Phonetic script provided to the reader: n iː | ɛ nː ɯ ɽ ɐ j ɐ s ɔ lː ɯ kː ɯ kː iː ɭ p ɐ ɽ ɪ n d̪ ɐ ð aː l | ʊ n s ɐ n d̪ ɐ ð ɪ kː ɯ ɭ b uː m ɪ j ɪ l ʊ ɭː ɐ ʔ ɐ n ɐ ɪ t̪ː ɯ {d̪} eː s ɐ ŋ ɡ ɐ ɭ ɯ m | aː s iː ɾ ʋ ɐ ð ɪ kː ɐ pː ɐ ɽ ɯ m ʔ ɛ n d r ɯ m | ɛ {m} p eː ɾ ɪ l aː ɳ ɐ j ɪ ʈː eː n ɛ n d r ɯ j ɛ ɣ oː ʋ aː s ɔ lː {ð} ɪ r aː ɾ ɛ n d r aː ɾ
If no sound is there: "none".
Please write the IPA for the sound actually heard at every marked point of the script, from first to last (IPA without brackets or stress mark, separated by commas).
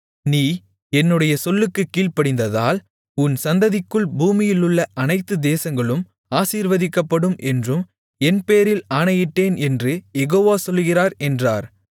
d̪, n, ɣ